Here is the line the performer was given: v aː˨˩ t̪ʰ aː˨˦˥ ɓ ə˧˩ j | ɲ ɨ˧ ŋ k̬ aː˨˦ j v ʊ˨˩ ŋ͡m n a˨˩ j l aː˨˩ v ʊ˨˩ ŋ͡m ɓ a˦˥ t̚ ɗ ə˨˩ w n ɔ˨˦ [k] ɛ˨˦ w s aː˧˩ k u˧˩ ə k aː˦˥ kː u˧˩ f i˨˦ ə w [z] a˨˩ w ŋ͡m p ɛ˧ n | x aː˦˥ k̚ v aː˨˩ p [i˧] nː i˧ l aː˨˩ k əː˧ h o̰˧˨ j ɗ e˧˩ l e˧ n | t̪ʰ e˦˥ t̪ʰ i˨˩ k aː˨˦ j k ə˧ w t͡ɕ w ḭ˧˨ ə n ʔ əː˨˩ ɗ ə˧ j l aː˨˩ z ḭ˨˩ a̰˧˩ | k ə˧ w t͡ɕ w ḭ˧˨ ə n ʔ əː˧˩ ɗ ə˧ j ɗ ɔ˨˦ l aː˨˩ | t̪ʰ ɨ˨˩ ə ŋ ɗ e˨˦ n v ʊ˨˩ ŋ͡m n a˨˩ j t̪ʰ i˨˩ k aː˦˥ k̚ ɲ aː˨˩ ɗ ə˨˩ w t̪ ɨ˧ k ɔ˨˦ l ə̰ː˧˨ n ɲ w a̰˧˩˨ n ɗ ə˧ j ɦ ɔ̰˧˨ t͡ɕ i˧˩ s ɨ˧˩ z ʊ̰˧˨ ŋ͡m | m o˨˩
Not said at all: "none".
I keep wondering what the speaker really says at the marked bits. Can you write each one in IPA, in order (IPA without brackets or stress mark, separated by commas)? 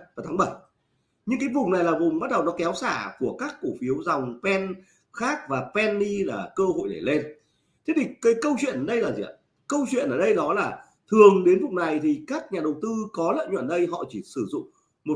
k, z, ɛ˧